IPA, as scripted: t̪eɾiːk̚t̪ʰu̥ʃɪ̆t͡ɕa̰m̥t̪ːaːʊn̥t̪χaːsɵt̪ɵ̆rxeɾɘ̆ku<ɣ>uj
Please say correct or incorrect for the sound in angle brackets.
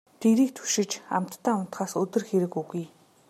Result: correct